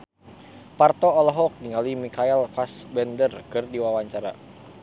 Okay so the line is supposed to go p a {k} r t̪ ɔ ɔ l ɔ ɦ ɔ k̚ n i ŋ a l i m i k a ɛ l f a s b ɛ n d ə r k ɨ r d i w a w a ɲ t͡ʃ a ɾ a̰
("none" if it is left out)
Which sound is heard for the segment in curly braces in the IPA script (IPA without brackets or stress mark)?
none